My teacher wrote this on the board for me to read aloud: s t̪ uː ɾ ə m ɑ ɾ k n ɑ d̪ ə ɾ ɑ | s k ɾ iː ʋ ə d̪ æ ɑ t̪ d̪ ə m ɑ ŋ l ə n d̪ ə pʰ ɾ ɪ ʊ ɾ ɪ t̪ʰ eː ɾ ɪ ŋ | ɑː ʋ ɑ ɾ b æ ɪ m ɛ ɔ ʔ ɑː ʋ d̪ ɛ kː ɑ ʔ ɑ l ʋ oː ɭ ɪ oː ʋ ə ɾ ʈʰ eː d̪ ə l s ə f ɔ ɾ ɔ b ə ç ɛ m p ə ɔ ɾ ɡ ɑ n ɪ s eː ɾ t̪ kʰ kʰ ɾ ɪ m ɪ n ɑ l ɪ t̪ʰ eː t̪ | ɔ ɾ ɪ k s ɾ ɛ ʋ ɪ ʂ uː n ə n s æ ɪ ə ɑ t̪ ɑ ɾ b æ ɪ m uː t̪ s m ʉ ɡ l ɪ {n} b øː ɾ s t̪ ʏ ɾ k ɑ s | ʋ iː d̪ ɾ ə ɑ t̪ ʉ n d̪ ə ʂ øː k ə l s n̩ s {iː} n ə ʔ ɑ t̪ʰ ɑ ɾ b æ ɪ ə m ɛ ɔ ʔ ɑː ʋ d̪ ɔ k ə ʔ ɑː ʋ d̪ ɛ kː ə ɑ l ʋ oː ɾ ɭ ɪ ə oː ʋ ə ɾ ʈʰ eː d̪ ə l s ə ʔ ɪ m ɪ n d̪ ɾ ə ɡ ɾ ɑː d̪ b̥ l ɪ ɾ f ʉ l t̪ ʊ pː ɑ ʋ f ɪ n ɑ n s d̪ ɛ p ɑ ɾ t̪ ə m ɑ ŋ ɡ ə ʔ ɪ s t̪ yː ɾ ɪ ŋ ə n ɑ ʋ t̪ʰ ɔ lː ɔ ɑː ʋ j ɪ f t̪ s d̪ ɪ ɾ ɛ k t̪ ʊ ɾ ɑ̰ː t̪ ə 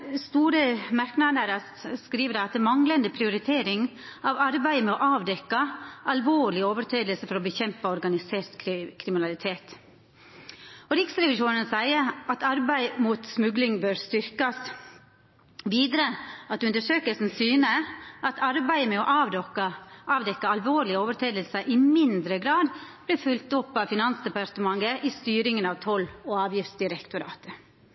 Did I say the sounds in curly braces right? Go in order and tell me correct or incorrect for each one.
incorrect: ŋ, incorrect: yː

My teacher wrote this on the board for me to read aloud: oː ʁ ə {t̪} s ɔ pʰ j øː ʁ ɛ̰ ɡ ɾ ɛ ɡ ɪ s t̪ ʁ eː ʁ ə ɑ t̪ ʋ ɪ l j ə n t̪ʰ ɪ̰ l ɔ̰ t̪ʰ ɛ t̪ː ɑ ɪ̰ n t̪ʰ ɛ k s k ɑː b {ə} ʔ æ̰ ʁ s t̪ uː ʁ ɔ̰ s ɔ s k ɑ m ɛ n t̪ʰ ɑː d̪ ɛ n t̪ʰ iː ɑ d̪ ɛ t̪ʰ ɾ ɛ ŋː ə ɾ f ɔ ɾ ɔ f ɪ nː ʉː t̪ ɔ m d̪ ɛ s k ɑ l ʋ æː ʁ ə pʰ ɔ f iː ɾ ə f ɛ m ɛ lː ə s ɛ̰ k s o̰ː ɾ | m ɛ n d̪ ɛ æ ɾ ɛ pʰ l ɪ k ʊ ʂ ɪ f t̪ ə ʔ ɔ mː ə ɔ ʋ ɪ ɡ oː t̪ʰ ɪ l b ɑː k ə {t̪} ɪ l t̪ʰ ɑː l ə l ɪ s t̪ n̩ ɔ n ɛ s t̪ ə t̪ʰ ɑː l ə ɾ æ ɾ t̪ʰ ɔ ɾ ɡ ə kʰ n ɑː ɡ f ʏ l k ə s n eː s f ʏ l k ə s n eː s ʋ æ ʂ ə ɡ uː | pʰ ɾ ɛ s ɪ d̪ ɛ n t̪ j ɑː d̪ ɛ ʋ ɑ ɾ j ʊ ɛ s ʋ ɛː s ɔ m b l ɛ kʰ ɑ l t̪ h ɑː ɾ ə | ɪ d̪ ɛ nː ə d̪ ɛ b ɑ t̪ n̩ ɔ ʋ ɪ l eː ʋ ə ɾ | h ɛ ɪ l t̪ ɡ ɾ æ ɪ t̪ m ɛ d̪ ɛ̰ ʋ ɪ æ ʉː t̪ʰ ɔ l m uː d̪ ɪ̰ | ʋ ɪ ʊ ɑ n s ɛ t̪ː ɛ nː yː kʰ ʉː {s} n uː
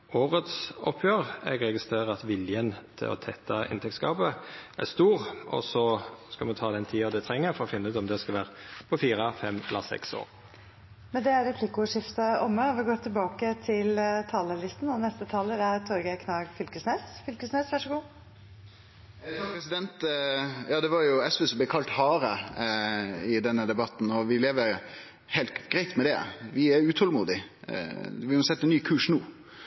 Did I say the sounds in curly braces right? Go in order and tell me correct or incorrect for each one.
correct, correct, incorrect: t̪ʰ, incorrect: ʂ

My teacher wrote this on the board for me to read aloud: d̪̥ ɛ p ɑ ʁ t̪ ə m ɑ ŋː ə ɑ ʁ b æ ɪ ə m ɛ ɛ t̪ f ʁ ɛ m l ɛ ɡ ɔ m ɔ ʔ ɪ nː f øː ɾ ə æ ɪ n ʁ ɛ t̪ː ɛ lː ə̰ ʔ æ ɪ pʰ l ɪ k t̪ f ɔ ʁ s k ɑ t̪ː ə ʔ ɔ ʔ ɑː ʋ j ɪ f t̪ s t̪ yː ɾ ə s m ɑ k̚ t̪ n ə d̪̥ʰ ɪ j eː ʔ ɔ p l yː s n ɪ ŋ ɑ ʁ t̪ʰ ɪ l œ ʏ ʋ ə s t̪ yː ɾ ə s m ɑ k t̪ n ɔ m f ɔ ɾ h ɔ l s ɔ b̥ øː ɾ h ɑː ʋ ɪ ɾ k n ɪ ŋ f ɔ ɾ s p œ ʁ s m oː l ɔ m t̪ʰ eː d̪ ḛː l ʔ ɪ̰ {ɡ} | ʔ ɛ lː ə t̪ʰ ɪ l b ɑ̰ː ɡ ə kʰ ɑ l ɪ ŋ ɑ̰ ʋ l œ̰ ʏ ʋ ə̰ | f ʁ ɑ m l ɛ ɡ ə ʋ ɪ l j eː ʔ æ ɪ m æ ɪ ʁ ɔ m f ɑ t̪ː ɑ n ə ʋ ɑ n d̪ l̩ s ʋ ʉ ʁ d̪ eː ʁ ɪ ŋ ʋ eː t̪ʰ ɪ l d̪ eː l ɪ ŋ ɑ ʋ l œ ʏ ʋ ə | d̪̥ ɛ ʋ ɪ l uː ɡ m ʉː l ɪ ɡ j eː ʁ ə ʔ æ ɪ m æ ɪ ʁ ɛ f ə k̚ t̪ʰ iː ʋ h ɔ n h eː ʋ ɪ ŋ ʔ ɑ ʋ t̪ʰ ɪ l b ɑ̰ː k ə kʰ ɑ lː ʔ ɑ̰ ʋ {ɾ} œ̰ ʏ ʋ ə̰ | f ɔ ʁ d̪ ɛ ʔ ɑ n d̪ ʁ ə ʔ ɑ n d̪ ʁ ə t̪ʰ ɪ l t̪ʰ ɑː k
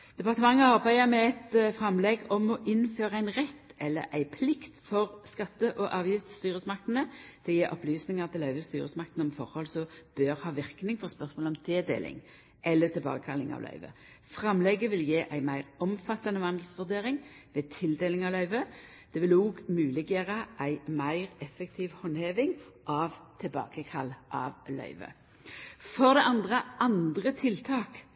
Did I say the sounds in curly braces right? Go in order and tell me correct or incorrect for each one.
incorrect: ŋ, incorrect: l

